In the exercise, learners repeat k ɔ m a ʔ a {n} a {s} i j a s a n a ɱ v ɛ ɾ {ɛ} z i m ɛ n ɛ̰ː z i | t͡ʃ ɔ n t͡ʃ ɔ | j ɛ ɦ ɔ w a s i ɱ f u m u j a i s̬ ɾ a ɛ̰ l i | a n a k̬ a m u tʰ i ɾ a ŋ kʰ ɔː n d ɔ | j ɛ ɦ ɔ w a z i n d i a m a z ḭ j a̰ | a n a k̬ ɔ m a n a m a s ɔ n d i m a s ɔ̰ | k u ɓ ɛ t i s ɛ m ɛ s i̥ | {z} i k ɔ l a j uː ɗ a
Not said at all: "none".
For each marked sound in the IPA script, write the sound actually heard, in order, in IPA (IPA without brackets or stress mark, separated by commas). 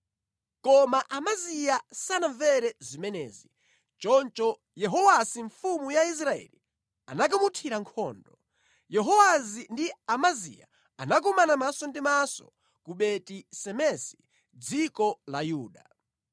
m, z, ɛ, d͡z